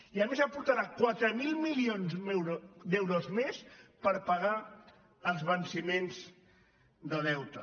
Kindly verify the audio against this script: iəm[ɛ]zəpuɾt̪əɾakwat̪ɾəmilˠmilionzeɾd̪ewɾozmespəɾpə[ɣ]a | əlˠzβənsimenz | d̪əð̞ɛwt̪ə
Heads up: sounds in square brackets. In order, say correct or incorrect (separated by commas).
incorrect, correct